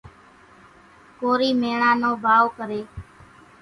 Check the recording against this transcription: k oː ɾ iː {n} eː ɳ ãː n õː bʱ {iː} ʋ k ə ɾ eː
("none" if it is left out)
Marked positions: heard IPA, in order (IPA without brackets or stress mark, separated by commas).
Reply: m, aː